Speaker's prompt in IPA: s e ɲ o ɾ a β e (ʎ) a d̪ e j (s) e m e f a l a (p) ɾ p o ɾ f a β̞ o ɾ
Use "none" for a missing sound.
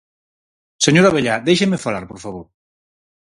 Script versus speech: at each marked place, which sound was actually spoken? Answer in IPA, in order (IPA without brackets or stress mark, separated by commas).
ʎ, ʃ, none